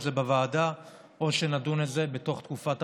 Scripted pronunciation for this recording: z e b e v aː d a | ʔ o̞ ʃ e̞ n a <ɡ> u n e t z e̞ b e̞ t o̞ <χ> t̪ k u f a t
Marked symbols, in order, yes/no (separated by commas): no, yes